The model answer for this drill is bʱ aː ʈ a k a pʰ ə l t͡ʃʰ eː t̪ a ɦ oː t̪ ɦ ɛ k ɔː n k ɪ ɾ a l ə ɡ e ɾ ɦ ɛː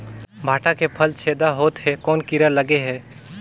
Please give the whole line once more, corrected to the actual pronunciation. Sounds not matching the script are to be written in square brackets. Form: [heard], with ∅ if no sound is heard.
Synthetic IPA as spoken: bʱ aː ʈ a k [e] pʰ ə l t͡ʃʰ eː [d̪] a ɦ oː t̪ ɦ ɛ k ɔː n k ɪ ɾ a l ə ɡ e [∅] ɦ ɛː